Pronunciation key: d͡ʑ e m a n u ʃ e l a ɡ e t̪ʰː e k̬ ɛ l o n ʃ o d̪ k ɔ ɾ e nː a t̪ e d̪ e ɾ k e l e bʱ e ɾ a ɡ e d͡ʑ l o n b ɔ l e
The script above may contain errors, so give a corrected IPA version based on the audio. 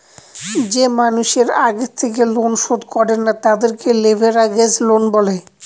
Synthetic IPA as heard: d͡ʑ e m a n u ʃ e ɾ a ɡ e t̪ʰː e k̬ e l o n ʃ o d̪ k ɔ ɾ e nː a t̪ a d̪ e ɾ k e l e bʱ e ɾ a ɡ e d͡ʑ l o n b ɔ l e